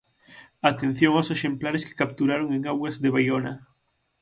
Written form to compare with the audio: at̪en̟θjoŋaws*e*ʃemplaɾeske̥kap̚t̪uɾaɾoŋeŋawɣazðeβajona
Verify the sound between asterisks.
correct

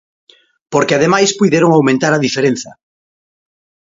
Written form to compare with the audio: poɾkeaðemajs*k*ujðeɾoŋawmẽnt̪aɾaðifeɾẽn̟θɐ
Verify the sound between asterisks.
incorrect: p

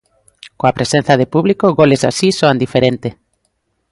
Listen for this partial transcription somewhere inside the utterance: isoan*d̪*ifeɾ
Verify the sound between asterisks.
correct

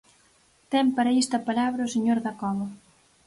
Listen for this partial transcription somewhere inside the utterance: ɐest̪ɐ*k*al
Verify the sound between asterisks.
incorrect: p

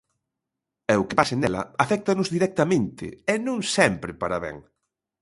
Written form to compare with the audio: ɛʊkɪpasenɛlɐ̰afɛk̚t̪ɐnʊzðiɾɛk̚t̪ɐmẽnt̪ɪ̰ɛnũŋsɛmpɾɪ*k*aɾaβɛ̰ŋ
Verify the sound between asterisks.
incorrect: p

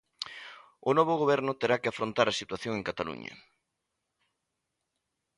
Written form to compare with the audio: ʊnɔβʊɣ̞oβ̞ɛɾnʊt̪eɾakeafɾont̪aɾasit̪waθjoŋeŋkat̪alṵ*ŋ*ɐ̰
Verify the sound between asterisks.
incorrect: ɲ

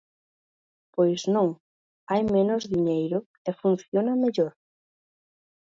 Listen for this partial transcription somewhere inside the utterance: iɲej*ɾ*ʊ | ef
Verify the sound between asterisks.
correct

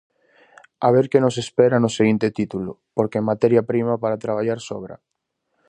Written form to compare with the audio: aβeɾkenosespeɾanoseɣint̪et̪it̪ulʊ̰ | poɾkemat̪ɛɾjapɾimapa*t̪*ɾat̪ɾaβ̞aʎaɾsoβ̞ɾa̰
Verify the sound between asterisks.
incorrect: none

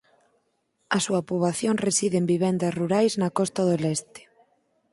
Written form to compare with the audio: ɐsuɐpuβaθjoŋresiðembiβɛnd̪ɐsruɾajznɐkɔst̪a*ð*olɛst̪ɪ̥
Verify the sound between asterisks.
correct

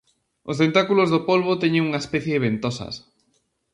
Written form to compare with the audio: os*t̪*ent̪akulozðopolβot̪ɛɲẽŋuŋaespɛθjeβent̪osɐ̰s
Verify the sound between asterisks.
correct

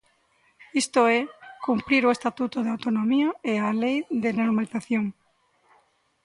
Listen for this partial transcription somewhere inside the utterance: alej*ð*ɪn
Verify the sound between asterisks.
correct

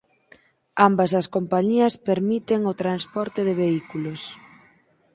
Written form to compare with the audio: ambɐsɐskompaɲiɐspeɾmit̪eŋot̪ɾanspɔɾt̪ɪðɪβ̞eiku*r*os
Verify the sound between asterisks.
incorrect: l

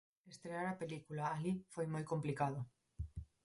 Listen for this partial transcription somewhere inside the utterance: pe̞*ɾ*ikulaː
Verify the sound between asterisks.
incorrect: l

